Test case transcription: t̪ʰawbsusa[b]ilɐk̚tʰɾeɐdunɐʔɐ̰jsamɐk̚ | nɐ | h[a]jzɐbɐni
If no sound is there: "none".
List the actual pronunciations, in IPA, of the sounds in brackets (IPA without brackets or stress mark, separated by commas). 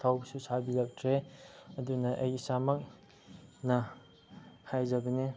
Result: b, a